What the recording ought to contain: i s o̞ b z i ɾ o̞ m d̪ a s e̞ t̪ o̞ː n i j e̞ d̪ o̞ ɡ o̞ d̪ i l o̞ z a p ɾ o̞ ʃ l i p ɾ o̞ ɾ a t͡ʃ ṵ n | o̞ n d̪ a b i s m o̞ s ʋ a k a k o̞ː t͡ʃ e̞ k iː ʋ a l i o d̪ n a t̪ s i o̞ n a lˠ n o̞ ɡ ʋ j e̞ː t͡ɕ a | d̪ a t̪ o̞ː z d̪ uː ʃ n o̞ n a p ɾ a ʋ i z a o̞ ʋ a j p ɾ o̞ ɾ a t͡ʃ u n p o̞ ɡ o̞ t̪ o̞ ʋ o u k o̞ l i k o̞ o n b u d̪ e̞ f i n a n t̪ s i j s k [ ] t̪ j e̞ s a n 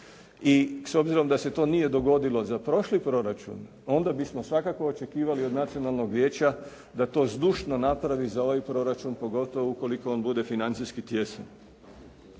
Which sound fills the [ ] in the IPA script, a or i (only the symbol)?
i